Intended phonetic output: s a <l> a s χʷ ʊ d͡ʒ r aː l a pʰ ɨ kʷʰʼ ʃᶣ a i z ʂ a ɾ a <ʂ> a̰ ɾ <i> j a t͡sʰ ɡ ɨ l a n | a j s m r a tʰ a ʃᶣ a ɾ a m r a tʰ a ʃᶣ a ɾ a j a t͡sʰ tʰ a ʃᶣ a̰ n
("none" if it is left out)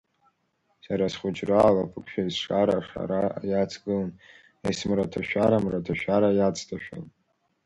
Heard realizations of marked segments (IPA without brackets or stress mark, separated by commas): ɾ, ʂ, a